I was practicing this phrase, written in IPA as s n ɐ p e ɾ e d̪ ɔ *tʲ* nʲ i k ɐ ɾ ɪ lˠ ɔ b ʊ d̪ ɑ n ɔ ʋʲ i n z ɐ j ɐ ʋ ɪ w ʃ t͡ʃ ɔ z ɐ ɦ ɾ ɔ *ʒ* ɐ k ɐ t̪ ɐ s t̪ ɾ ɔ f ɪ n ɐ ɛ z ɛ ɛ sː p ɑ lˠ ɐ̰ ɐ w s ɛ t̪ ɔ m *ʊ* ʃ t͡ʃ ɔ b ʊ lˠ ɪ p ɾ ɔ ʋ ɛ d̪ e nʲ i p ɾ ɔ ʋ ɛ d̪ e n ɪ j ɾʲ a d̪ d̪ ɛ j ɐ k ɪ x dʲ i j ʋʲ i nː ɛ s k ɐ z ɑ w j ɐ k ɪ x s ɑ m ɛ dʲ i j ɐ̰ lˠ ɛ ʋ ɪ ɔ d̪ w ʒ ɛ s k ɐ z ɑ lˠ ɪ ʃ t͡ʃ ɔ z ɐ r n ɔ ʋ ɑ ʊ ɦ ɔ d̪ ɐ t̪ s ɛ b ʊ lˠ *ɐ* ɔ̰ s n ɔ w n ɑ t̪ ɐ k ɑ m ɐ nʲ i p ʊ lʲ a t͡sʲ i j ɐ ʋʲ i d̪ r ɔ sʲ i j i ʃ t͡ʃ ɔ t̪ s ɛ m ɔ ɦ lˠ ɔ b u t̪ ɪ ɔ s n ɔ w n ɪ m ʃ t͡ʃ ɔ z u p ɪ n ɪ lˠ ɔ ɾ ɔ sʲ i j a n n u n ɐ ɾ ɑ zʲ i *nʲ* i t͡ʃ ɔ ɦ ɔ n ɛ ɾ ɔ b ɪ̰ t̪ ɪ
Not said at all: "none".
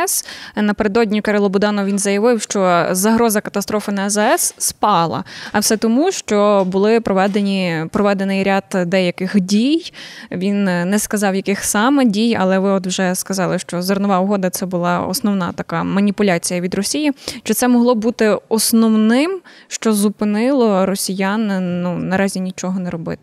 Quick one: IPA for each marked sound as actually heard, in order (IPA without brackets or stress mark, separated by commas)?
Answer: dʲ, z, u, ɑ, nʲ